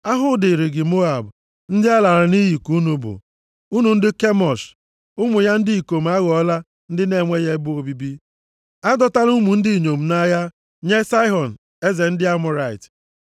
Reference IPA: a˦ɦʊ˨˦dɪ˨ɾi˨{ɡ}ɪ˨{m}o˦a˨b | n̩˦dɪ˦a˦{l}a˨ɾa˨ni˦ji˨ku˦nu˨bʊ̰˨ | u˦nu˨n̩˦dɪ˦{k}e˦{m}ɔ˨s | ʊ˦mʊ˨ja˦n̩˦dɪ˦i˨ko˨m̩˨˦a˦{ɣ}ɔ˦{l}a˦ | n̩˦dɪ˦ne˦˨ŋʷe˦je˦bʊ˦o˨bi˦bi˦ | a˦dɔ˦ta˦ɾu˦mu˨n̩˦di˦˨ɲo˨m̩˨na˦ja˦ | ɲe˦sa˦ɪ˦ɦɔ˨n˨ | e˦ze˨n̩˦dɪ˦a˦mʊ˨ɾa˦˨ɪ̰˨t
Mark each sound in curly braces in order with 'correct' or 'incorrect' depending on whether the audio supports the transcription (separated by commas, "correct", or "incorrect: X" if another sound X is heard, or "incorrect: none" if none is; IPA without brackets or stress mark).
correct, correct, correct, correct, correct, correct, correct